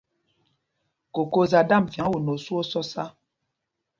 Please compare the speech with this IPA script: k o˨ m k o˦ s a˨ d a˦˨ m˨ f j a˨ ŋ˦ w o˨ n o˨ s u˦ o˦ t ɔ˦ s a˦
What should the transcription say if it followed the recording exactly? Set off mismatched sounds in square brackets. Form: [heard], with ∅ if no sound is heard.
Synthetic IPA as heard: k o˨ [∅] k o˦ [z] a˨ d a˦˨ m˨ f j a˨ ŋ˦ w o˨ n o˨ s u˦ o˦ [s] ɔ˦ s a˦

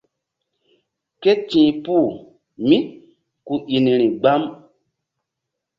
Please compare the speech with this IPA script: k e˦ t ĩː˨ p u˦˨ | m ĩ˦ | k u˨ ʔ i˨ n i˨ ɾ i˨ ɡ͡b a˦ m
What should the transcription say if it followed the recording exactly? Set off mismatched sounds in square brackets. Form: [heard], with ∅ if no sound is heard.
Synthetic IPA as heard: k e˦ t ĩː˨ p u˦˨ | m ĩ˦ | k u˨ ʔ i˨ n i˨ ɾ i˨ ɡ͡b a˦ m

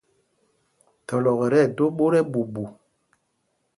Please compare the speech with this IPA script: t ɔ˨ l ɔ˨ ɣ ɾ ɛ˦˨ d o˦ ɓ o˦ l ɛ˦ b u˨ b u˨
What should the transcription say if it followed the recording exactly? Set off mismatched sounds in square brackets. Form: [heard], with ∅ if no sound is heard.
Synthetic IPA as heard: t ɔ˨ l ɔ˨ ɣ ɾ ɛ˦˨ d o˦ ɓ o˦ [ɾ] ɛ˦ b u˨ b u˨

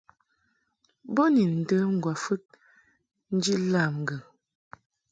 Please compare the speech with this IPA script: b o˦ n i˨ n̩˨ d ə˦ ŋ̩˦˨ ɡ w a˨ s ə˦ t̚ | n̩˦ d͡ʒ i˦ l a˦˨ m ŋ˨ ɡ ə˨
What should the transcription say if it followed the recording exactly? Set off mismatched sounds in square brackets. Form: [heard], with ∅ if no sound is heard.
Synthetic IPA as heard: b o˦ n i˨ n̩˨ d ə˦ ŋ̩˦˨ ɡ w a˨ [f] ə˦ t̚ | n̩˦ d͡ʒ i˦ l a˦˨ m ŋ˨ ɡ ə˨

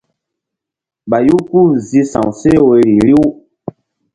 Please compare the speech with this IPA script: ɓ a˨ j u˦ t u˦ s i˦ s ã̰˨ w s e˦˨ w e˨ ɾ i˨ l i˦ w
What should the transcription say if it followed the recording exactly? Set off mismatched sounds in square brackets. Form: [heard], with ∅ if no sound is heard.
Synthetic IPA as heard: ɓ a˨ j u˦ [k] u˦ [z] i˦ s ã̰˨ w s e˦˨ w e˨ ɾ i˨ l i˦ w

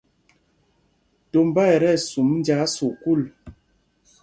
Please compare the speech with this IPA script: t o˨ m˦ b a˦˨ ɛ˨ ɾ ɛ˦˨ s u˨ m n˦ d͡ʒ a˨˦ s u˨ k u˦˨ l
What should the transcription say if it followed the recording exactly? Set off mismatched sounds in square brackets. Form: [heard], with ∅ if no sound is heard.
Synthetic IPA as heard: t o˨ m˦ b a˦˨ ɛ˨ ɾ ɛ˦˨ s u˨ m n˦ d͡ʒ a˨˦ s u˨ k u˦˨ l

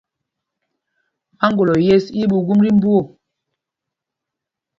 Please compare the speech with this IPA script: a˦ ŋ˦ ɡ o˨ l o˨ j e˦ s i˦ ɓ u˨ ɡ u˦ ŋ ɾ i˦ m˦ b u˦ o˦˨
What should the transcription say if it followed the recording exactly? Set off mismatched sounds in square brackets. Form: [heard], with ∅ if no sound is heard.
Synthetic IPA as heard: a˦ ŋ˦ ɡ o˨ l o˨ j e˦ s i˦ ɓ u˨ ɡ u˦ [m] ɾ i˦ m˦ b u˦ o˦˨

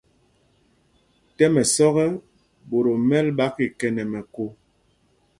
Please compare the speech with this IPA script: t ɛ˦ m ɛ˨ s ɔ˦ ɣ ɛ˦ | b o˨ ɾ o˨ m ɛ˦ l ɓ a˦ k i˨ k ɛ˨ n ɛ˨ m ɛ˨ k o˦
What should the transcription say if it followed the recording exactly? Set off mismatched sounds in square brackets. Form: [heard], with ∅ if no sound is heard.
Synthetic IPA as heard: t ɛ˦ m ɛ˨ s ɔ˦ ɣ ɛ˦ | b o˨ ɾ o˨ m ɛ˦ l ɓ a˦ k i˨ k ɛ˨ n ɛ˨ m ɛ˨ k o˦

